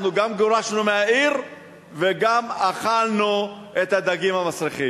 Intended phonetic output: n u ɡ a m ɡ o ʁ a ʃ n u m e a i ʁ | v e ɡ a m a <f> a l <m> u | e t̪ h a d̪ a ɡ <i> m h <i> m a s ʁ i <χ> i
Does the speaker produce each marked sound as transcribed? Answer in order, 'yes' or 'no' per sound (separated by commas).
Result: no, no, yes, no, yes